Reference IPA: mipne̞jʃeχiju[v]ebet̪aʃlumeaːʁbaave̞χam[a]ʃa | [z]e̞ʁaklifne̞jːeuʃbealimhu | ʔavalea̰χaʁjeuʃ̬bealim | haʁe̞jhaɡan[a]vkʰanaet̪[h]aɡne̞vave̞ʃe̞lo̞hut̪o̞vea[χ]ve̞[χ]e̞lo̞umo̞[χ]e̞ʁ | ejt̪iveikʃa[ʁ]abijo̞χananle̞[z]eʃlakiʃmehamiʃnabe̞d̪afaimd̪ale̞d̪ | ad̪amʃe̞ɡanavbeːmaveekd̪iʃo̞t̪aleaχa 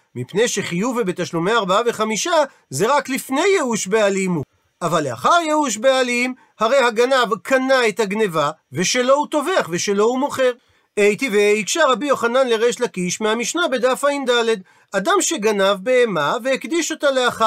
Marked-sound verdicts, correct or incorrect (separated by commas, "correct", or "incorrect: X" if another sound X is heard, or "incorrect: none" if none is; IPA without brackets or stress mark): correct, incorrect: i, correct, correct, correct, correct, incorrect: ʃ, correct, correct, incorrect: ʁ